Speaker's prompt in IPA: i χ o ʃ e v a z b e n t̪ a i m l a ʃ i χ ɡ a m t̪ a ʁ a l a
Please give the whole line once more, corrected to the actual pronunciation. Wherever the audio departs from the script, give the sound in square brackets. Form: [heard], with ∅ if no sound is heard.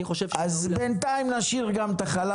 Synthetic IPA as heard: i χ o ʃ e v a z b e n t̪ a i m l a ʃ i [ʁ] ɡ a m t̪ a [χ] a l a